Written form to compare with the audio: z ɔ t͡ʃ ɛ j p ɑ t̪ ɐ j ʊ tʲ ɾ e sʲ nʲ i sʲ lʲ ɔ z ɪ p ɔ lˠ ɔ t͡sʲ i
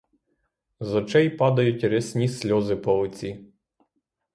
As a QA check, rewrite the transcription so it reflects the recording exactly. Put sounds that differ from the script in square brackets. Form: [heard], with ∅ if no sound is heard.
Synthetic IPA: z ɔ t͡ʃ ɛ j p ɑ [d̪] ɐ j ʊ tʲ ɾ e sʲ nʲ i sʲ lʲ ɔ z ɪ p ɔ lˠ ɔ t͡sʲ i